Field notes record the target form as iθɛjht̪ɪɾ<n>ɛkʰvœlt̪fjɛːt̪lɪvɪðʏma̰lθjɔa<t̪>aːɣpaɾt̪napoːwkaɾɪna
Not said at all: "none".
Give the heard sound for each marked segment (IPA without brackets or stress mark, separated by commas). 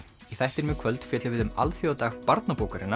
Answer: m, t̪